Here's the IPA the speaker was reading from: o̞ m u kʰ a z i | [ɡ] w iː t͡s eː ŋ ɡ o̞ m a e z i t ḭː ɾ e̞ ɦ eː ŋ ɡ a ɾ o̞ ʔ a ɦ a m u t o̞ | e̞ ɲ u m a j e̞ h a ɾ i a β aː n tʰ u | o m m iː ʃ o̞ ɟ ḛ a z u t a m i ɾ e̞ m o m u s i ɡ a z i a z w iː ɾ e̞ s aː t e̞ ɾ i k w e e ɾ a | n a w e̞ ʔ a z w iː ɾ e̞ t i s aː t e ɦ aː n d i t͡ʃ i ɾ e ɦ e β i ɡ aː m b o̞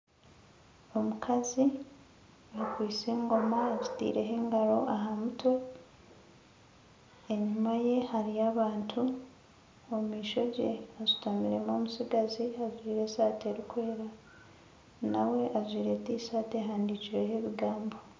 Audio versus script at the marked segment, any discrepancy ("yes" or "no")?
yes